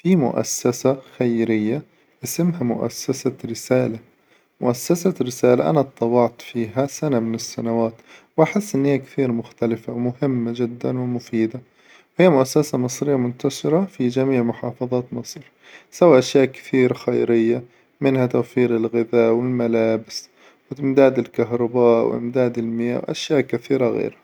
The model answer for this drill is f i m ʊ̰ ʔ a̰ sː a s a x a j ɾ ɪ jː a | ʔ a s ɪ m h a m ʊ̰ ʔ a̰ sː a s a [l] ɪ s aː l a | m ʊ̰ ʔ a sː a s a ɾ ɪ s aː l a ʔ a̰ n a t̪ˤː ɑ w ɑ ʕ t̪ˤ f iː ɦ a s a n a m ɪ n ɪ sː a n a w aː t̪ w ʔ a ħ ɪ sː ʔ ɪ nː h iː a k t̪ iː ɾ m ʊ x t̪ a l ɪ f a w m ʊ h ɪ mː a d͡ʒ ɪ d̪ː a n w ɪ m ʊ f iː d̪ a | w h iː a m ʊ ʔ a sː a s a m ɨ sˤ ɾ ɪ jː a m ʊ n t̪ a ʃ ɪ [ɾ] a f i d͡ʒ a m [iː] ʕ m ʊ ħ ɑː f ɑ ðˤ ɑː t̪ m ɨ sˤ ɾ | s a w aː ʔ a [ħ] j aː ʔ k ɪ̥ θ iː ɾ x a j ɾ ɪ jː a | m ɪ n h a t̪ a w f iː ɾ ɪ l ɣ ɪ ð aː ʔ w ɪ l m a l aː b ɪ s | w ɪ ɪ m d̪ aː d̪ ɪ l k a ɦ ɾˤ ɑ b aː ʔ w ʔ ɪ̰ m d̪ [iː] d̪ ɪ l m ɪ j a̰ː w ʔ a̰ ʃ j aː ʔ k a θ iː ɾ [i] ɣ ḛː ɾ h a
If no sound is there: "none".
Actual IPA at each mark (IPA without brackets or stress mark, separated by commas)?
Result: ɾ, ɾ, iː, ʃ, aː, a